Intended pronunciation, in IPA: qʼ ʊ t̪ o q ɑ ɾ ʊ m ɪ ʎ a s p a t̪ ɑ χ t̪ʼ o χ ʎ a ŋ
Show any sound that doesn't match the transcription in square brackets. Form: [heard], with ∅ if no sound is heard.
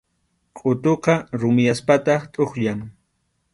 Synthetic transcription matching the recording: qʼ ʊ t̪ o q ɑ ɾ ʊ m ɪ [j] a s p a t̪ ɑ χ t̪ʼ o χ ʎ a ŋ